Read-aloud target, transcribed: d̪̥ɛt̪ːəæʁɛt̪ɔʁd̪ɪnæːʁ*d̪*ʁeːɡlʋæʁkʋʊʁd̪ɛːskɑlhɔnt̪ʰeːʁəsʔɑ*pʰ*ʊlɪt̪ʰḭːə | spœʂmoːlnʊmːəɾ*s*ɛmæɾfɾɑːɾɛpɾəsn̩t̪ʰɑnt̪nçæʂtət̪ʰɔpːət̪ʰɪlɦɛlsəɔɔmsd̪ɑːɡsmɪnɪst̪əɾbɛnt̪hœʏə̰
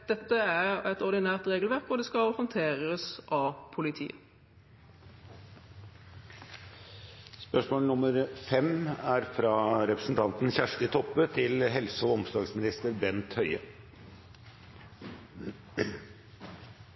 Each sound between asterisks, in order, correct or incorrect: incorrect: t̪, correct, incorrect: f

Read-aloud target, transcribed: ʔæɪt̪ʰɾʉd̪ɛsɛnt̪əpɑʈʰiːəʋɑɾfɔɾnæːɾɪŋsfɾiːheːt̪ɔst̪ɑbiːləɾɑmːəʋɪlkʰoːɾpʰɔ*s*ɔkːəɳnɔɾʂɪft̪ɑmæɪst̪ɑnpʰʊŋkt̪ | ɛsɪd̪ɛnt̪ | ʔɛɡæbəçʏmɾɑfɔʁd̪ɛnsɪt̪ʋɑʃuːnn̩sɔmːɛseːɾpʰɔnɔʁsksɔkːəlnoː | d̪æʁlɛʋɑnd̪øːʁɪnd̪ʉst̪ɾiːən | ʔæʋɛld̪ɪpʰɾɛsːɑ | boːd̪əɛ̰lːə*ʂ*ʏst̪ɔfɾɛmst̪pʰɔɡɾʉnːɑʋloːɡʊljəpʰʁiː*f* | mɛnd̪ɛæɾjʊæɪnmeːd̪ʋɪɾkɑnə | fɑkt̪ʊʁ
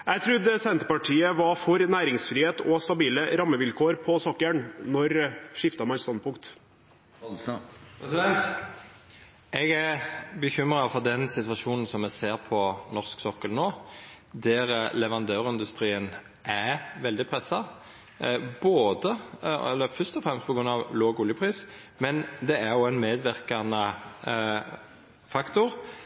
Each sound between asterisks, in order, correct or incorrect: correct, incorrect: f, incorrect: s

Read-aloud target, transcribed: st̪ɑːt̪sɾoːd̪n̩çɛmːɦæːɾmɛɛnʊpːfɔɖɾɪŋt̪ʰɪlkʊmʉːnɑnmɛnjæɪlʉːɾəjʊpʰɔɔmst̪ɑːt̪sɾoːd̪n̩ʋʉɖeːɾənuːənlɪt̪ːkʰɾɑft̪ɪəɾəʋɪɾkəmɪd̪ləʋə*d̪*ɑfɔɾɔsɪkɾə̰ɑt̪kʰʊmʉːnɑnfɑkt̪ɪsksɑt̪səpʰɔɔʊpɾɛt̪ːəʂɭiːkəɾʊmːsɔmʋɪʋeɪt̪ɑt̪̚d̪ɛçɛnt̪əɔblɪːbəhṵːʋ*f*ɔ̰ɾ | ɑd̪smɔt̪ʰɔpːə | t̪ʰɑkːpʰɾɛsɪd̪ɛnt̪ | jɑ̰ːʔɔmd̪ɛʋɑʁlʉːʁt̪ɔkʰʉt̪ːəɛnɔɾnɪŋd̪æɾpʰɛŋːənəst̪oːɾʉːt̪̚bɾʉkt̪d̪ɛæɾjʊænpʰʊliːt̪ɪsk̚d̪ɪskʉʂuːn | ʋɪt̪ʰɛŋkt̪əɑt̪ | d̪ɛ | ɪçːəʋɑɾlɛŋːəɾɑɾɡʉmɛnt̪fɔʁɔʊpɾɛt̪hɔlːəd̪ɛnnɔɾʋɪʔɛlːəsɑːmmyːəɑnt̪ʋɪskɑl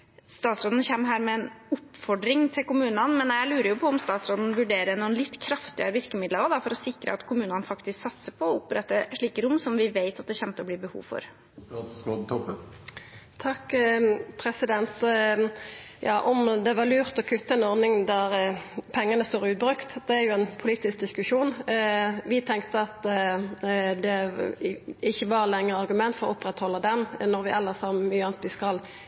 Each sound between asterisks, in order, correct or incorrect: correct, correct

